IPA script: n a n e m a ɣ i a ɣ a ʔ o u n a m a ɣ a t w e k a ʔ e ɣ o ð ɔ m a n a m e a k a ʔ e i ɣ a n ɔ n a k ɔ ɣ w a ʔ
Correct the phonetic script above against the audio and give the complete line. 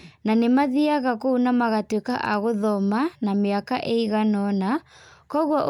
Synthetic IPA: n a n e m a ð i a ɣ a k o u n a m a ɣ a t w e k a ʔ a ɣ o ð ɔ m a n a m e a k a ʔ e i ɣ a n ɔ n a k ɔ ɣ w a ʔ